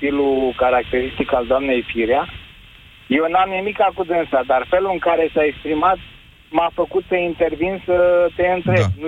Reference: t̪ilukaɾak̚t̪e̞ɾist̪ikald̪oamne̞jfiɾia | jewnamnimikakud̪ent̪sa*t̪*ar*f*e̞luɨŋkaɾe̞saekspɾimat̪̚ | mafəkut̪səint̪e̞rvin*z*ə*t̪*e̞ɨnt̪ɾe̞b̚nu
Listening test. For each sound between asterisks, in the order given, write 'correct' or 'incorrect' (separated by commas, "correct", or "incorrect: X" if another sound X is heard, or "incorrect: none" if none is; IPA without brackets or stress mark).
incorrect: d̪, correct, incorrect: s, correct